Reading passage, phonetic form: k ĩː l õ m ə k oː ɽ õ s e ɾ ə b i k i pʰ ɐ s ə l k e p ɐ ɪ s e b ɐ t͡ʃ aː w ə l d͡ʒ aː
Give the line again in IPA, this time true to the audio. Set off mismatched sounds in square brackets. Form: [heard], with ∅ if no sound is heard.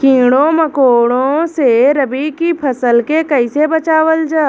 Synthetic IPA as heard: k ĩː [ɽ] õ m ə k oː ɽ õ s e ɾ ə b i k i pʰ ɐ s ə l k e [k] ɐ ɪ s e b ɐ t͡ʃ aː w ə l d͡ʒ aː